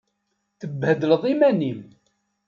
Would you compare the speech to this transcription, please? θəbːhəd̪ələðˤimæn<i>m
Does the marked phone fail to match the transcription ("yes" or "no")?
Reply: no